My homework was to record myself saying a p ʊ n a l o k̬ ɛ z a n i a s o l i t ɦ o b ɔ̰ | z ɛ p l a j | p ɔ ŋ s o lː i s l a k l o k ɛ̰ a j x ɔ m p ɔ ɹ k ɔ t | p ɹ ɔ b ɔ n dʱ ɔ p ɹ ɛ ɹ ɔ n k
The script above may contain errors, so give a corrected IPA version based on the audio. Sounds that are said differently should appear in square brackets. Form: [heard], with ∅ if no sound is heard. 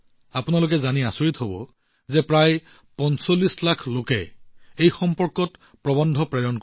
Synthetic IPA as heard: a p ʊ n a l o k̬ ɛ z a n i a s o [ɹ] i t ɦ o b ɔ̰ | z ɛ p [ɹ] a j | p ɔ [n] s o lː i s l a [kʰ] l o k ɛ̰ [e] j x ɔ m p ɔ ɹ k ɔ t | p ɹ ɔ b ɔ n dʱ ɔ p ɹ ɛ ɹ ɔ n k